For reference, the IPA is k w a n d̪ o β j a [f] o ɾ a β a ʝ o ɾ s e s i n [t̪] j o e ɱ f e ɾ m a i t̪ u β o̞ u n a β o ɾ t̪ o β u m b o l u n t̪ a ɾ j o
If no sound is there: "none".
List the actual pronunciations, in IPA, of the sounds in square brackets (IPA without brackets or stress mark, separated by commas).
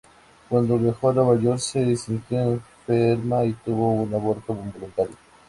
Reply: x, t̪